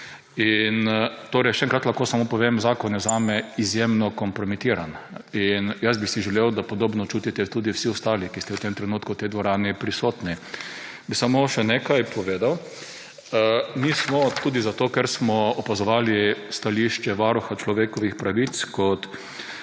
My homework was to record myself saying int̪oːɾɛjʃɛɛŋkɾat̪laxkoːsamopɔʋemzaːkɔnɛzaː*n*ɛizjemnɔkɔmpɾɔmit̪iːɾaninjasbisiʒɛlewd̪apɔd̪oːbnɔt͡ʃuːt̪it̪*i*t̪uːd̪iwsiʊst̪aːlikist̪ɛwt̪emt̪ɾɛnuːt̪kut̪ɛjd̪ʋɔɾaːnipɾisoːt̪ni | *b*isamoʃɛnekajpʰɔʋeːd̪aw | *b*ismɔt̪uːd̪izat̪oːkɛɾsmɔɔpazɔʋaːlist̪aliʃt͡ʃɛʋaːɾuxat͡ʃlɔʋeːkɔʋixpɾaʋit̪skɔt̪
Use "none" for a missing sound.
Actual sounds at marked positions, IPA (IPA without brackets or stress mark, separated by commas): m, ɛ, b, m